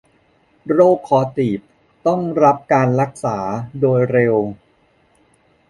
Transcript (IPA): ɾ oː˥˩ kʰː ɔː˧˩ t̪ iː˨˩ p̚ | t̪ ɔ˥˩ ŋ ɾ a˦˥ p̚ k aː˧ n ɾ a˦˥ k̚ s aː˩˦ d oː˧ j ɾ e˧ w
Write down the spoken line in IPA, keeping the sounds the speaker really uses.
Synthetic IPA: ɾ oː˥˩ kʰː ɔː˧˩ t̪ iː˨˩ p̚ | t̪ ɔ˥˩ ŋ ɾ a˦˥ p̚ k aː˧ n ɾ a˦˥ k̚ s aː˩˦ d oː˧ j ɾ e˧ w